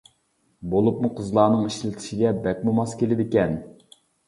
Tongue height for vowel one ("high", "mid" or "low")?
mid